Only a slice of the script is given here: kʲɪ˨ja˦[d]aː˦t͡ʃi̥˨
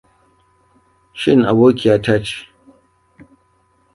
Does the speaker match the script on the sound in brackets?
no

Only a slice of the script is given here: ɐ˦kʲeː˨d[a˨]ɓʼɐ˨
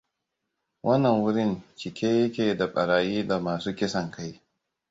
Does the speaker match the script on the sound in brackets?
yes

